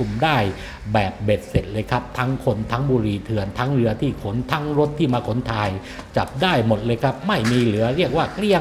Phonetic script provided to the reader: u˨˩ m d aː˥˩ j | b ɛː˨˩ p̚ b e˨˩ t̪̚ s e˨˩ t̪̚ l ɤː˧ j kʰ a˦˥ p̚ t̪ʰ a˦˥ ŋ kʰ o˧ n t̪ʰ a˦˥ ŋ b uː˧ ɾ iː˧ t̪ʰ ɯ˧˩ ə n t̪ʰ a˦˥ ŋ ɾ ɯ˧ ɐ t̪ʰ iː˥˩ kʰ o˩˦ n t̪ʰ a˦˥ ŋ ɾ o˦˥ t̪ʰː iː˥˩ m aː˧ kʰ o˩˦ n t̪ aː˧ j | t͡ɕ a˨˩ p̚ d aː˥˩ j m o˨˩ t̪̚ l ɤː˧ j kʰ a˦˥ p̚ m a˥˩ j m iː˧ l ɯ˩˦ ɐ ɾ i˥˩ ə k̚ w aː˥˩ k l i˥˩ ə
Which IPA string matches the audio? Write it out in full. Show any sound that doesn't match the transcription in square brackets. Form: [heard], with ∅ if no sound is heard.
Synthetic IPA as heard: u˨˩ m d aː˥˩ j | b ɛː˨˩ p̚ b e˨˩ t̪̚ s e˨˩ t̪̚ l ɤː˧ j kʰ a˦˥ p̚ t̪ʰ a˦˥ ŋ kʰ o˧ n t̪ʰ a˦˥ ŋ b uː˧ ɾ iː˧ t̪ʰ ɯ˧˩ ə n t̪ʰ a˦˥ ŋ ɾ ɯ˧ ɐ t̪ʰ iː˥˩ kʰ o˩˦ n t̪ʰ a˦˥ ŋ ɾ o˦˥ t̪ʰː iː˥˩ m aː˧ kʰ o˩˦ n [t̪ʰ] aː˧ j | t͡ɕ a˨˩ p̚ d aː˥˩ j m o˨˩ t̪̚ l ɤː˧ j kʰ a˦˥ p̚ m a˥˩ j m iː˧ l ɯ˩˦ ɐ ɾ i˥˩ ə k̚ w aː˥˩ k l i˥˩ ə

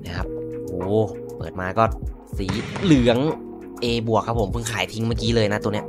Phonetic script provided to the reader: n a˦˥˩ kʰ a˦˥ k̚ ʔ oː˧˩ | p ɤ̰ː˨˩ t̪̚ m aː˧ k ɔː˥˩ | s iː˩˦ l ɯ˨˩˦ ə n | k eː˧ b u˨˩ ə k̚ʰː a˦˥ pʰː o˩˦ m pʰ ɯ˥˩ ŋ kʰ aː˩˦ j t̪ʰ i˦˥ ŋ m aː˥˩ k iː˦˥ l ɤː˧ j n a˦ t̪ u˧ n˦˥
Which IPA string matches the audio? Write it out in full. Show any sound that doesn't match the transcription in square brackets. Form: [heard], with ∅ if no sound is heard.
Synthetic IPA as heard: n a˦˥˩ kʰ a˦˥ [p̚] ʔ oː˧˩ | p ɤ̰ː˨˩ t̪̚ m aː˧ k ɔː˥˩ | s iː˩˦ l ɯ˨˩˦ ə [ŋ] | [ʔ] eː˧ b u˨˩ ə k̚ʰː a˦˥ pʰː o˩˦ m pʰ ɯ˥˩ ŋ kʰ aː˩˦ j t̪ʰ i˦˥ ŋ m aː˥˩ k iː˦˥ l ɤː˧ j n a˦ t̪ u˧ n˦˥

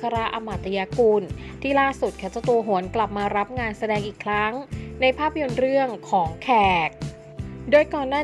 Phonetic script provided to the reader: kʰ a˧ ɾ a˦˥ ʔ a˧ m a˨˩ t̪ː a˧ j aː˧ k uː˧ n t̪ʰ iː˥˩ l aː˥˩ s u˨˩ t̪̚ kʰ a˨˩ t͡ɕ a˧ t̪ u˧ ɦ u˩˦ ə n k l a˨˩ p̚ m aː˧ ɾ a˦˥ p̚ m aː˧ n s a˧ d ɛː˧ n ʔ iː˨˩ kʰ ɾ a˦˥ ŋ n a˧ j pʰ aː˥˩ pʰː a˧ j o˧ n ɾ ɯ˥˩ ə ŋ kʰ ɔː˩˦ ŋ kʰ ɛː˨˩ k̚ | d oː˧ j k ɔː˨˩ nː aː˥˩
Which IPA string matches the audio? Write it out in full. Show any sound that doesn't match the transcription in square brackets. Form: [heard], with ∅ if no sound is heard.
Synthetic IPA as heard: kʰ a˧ ɾ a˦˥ ʔ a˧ m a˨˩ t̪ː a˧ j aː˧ k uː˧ n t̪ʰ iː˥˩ l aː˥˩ s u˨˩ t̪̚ kʰ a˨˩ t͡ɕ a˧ t̪ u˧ ɦ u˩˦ ə n k l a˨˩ p̚ m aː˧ ɾ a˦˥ p̚ [ŋ] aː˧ n s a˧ d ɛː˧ [ŋ] ʔ iː˨˩ kʰ ɾ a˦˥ ŋ n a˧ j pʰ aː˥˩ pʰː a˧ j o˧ n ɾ ɯ˥˩ ə ŋ kʰ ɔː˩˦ ŋ kʰ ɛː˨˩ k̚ | d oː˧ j k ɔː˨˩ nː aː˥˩

